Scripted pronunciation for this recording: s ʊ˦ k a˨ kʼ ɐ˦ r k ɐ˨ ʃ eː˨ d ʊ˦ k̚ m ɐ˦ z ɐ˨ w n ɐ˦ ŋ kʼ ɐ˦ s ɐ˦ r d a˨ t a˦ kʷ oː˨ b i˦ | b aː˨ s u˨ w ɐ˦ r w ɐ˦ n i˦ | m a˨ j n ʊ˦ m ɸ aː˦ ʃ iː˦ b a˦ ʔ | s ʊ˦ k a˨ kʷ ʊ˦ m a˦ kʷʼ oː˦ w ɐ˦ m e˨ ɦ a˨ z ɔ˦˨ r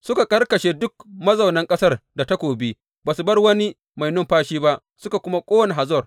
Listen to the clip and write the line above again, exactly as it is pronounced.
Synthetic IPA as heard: s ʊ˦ k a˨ kʼ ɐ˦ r k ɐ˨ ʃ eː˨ d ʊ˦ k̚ m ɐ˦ z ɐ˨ w n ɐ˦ ŋ kʼ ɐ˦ s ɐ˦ r d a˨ t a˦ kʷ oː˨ b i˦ | b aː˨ s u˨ b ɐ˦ r w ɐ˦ n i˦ | m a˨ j n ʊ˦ m ɸ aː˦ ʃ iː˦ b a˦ ʔ | s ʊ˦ k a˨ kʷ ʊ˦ m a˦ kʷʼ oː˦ w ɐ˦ n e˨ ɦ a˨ z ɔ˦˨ r